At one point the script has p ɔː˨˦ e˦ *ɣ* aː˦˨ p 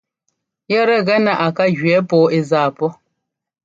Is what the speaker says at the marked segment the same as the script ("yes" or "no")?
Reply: no